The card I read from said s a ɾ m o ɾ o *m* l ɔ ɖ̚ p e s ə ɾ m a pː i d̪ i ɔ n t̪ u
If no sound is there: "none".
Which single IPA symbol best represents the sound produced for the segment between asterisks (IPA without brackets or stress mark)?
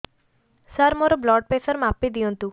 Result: b